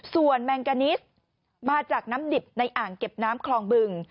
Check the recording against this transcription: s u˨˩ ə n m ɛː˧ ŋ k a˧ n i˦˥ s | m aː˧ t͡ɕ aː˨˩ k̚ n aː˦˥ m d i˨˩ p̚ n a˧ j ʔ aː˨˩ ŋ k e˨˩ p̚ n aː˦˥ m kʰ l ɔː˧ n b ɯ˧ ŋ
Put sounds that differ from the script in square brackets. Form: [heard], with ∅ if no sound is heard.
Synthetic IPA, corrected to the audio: s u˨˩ ə n m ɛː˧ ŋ k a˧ n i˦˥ s | m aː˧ t͡ɕ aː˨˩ k̚ n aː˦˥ m d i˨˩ p̚ n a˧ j ʔ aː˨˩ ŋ k e˨˩ p̚ n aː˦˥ m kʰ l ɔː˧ [ŋ] b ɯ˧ ŋ